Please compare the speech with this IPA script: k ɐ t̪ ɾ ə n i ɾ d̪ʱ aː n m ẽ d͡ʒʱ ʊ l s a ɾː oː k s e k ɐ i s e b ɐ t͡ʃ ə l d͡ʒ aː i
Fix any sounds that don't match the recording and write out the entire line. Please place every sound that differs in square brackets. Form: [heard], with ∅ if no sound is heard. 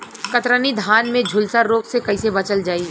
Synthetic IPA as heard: k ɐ t̪ ɾ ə n i [∅] d̪ʱ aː n m ẽ d͡ʒʱ ʊ l s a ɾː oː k s e k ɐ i s e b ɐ t͡ʃ ə l d͡ʒ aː i